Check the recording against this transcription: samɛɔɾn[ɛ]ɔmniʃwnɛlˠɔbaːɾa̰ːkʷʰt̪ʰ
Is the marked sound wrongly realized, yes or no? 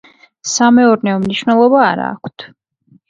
no